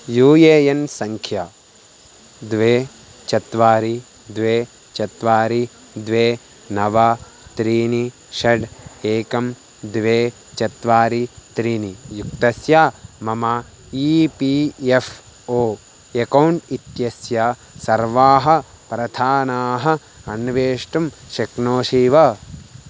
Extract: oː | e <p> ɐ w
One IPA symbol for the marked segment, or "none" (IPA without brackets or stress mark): k